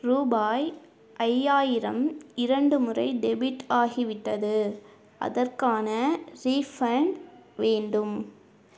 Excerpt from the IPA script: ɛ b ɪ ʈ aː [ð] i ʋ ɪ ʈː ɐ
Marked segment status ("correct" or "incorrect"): incorrect